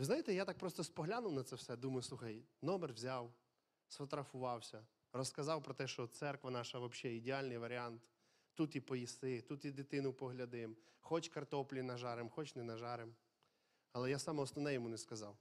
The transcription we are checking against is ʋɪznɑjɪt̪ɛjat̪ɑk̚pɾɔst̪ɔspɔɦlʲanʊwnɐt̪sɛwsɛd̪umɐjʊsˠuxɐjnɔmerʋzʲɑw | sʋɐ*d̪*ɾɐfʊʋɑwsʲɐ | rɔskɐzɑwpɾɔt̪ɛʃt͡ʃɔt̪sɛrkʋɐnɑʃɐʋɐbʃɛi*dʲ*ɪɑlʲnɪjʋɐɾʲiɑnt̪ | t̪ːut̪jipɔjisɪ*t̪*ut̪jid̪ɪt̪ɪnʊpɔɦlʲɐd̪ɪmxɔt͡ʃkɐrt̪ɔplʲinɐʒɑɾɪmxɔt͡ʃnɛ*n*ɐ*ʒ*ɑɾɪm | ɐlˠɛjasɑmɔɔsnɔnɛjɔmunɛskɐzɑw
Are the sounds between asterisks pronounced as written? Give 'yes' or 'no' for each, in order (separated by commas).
no, yes, yes, yes, yes